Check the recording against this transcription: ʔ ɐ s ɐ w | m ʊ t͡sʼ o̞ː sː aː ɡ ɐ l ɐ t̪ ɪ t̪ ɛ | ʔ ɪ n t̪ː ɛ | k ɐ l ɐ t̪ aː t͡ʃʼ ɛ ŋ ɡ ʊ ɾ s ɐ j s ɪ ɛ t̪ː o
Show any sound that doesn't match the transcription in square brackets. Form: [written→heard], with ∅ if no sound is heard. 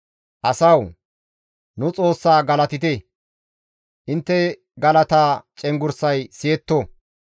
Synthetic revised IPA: ʔ ɐ s ɐ w | [m→n] ʊ t͡sʼ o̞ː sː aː ɡ ɐ l ɐ t̪ ɪ t̪ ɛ | ʔ ɪ n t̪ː ɛ | [k→ɡ] ɐ l ɐ t̪ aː t͡ʃʼ ɛ ŋ ɡ ʊ ɾ s ɐ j s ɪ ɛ t̪ː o